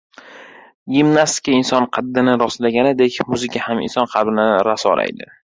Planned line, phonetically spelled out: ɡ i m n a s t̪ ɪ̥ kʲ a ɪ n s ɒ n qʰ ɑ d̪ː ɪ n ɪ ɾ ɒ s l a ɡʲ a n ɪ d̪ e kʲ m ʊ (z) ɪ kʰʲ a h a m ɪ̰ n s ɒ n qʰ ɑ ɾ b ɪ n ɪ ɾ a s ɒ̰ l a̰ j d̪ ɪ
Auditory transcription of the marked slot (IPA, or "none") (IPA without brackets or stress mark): z